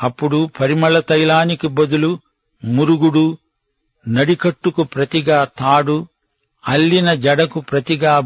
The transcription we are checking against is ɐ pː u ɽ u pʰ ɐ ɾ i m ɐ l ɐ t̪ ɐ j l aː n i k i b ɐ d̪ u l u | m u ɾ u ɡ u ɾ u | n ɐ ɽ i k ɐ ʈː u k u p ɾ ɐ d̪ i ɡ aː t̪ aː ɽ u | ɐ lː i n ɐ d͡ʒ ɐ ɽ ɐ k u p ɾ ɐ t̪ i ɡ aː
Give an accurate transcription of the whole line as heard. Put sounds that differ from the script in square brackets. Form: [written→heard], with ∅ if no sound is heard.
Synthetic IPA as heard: ɐ pː u ɽ u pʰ ɐ ɾ i m ɐ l ɐ t̪ ɐ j l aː n i k i b ɐ d̪ u l u | m u ɾ u ɡ u [ɾ→ɽ] u | n ɐ ɽ i k ɐ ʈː u k u p ɾ ɐ [d̪→t̪] i ɡ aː t̪ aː ɽ u | ɐ lː i n ɐ d͡ʒ ɐ ɽ ɐ k u p ɾ ɐ t̪ i ɡ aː